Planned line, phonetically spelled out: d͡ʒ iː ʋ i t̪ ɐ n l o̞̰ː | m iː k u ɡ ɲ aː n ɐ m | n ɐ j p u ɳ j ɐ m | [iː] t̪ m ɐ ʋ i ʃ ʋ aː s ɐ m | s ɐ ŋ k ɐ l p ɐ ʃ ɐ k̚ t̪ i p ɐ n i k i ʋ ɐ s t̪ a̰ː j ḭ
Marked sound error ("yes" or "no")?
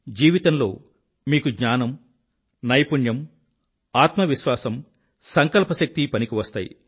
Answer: yes